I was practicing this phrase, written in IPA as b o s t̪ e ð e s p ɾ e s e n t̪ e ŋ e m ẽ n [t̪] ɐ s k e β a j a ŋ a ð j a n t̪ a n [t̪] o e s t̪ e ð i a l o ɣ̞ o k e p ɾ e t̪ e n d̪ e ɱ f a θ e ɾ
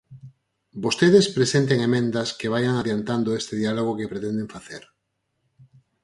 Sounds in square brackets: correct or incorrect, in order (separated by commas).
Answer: incorrect, incorrect